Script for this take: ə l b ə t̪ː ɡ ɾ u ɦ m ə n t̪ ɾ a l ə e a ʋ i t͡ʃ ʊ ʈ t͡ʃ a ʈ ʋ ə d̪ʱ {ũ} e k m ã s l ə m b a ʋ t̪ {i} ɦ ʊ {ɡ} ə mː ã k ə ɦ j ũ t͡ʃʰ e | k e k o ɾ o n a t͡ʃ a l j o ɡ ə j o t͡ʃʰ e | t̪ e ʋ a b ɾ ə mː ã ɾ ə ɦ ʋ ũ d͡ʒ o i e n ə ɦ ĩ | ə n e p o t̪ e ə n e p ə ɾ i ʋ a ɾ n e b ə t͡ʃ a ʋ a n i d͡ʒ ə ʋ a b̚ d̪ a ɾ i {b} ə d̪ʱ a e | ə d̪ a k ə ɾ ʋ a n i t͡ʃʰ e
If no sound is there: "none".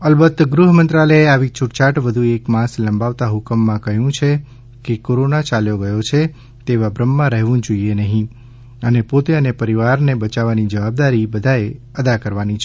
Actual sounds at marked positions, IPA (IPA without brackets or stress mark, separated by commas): u, a, k, b